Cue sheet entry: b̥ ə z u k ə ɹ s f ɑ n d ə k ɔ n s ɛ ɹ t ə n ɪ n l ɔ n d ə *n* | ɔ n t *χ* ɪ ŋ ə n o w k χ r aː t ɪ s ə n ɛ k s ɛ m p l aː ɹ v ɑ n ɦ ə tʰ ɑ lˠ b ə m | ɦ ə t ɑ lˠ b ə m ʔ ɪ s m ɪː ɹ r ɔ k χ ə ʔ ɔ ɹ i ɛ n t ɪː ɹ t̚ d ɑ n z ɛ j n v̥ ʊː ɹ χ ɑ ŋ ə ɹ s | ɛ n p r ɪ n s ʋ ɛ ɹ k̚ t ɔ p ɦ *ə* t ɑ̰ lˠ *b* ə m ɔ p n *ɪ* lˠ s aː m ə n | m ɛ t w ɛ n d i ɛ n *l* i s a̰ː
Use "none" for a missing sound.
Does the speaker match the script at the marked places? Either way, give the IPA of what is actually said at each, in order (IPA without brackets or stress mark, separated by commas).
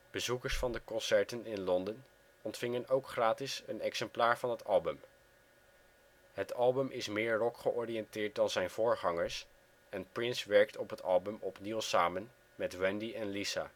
n, f, ə, b, i, l